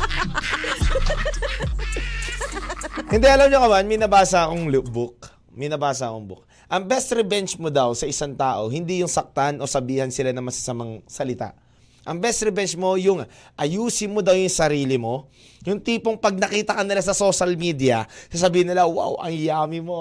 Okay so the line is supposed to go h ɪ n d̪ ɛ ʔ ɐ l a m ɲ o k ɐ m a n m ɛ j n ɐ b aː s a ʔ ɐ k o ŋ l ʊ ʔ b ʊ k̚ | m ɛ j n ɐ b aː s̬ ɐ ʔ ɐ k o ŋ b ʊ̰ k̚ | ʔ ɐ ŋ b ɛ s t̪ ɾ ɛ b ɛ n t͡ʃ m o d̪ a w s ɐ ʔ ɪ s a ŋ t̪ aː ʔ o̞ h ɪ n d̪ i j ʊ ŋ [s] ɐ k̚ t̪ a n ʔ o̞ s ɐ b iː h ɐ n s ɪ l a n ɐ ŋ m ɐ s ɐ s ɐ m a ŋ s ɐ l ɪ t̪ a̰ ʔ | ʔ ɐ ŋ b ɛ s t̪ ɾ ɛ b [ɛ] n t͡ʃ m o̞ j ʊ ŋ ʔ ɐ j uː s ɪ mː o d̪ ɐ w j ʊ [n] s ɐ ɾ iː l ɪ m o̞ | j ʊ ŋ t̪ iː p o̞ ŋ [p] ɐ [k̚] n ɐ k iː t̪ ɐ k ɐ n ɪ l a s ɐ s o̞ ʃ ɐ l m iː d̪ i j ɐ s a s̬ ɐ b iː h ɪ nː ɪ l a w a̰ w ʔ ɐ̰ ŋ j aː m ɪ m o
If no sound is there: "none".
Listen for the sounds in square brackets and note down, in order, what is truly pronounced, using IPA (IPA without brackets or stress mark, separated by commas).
s, ɛ, ŋ, p, ɡ̚